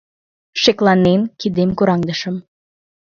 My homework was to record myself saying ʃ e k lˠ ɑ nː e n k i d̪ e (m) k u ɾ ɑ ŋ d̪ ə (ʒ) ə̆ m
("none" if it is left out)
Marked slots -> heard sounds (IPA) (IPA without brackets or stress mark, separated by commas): m, ʃ